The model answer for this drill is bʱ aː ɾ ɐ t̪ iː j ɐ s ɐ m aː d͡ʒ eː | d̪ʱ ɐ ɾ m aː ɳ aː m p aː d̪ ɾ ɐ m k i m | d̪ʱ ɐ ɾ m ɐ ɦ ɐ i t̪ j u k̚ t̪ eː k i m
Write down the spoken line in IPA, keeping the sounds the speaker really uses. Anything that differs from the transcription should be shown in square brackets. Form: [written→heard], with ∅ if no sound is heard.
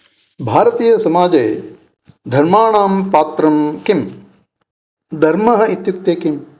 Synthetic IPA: bʱ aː ɾ ɐ t̪ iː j ɐ s ɐ m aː d͡ʒ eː | d̪ʱ ɐ ɾ m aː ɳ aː m p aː [d̪→t̪] ɾ ɐ m k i m | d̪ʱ ɐ ɾ m ɐ ɦ ɐ i t̪ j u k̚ t̪ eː k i m